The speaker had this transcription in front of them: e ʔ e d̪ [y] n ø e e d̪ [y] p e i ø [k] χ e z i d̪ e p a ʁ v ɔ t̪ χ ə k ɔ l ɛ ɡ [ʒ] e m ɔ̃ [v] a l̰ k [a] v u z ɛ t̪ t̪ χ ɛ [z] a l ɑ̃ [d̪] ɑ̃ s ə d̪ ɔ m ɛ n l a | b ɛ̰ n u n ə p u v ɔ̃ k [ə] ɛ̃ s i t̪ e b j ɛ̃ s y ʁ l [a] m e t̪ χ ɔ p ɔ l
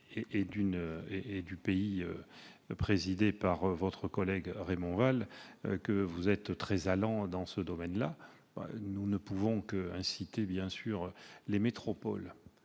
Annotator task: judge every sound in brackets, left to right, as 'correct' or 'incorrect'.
correct, correct, incorrect, incorrect, correct, incorrect, correct, correct, correct, incorrect

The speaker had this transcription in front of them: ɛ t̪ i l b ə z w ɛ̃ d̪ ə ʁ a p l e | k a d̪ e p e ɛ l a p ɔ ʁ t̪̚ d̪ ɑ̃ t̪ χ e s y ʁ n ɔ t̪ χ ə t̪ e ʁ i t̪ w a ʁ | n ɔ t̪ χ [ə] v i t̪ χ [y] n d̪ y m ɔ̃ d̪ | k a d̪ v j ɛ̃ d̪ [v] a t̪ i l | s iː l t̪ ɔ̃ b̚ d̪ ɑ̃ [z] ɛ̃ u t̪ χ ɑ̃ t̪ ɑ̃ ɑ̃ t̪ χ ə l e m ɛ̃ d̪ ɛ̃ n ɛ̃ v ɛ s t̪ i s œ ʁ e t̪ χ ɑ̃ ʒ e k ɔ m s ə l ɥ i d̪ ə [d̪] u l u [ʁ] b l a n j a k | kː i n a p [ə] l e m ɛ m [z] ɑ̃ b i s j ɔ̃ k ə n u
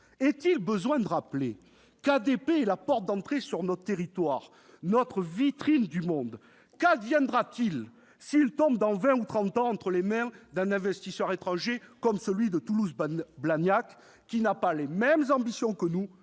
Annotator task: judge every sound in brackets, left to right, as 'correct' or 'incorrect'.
correct, incorrect, incorrect, incorrect, incorrect, incorrect, incorrect, correct

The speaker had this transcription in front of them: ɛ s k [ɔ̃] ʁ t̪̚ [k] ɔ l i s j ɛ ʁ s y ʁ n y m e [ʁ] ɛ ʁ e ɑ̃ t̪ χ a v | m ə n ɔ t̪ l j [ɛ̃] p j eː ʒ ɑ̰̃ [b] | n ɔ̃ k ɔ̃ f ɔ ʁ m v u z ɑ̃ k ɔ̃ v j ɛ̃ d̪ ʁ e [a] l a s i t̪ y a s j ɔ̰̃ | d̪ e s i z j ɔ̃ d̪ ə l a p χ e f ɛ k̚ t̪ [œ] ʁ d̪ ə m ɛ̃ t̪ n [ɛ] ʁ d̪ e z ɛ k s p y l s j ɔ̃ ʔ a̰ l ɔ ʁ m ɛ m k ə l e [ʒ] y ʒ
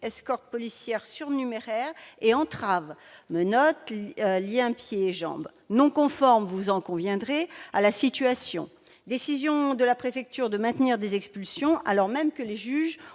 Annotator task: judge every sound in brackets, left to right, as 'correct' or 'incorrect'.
incorrect, incorrect, correct, correct, correct, correct, incorrect, incorrect, correct

